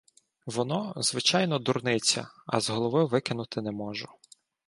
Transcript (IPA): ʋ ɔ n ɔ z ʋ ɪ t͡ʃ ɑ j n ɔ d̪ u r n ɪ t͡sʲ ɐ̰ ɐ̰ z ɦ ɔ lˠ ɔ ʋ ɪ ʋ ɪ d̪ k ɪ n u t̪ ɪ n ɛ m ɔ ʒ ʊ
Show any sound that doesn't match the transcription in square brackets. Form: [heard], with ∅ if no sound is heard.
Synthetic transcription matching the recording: ʋ ɔ n ɔ z ʋ ɪ t͡ʃ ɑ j n ɔ d̪ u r n ɪ t͡sʲ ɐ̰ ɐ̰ z ɦ ɔ lˠ ɔ ʋ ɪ ʋ ɪ [∅] k ɪ n [ʊ] t̪ ɪ n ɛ m ɔ ʒ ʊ